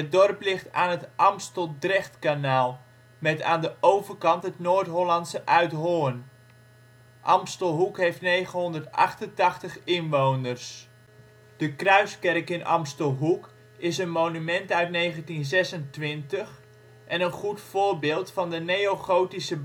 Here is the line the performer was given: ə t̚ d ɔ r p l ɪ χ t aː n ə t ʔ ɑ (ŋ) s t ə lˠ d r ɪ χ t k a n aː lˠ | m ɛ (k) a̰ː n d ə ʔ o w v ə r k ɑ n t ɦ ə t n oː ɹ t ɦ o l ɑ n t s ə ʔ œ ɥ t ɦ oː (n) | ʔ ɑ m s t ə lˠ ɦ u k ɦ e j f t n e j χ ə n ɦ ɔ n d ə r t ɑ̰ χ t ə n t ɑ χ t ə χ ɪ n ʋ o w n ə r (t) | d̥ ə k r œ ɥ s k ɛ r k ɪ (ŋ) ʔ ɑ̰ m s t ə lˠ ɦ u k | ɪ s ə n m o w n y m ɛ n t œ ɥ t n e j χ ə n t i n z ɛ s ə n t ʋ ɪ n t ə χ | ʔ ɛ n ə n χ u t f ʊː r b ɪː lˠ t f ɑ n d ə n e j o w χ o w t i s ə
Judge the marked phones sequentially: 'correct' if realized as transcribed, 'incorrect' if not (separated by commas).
incorrect, incorrect, correct, incorrect, incorrect